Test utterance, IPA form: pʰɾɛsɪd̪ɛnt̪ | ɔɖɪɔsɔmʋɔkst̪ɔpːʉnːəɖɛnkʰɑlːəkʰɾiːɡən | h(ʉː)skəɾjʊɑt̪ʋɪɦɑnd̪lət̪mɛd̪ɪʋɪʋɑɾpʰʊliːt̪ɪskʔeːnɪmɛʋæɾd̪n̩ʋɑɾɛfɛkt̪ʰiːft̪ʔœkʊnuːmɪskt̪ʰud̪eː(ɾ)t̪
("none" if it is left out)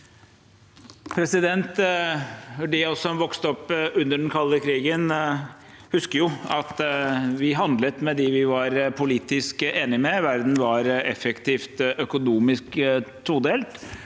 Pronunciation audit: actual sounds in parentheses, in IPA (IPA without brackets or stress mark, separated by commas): ʉ, l